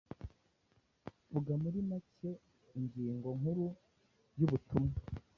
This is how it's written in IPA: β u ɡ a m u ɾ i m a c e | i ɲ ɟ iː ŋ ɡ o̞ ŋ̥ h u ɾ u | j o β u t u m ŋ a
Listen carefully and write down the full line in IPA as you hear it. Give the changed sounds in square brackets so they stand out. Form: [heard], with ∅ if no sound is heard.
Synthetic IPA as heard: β u ɡ a m u ɾ i m a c e | i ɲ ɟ iː ŋ ɡ o̞ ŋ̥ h u ɾ u | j [u] β u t u m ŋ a